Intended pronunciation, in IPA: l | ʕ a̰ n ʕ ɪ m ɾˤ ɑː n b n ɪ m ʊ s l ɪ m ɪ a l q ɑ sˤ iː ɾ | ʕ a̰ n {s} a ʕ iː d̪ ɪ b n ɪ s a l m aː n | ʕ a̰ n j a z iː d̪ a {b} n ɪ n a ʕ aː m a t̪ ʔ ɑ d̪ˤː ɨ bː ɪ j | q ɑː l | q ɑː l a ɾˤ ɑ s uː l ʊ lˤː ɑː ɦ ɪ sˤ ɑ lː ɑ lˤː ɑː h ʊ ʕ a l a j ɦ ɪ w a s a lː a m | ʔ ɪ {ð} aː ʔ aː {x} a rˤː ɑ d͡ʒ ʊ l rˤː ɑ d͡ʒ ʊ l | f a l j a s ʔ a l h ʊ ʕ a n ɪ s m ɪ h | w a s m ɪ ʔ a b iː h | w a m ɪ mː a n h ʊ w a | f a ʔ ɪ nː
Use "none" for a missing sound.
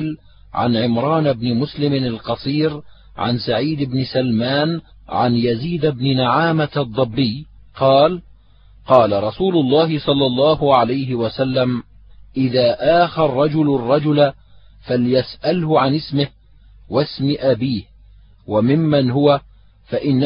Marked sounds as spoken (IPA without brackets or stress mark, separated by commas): s, b, ð, x